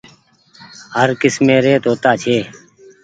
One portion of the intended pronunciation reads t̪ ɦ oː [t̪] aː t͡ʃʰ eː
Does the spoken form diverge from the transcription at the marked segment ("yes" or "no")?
no